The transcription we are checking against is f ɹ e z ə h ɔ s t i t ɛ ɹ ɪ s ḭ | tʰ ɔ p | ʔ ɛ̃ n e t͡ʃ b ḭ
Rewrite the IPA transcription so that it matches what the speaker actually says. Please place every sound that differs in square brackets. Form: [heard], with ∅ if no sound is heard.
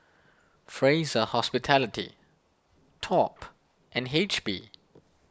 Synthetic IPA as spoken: f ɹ e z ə h ɔ s [p] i [tʰ] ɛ [l] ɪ [t] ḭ | tʰ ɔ p | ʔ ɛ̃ n e t͡ʃ b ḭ